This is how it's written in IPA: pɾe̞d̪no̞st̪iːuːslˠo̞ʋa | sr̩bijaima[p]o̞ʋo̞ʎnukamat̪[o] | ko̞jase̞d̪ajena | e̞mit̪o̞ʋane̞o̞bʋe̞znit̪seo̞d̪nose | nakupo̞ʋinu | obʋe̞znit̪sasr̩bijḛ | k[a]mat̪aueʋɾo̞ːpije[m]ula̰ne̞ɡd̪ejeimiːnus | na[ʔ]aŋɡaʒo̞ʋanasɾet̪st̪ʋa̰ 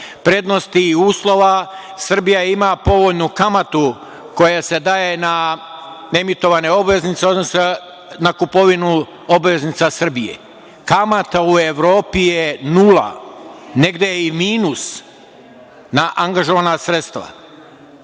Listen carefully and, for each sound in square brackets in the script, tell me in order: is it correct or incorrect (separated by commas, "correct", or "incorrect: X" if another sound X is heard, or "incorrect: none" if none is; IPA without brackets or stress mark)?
correct, incorrect: u, correct, incorrect: n, correct